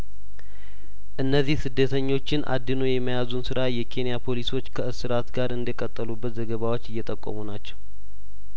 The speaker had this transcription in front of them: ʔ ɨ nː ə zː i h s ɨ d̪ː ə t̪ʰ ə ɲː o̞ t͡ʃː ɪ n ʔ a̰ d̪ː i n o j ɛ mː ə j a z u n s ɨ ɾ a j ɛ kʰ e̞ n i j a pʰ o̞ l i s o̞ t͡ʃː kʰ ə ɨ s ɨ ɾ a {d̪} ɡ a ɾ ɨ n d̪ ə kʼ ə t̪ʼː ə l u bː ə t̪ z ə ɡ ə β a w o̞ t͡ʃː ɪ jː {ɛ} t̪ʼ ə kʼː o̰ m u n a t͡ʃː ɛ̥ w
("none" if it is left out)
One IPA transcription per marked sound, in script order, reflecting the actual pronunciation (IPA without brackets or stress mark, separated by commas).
t̪, ɛ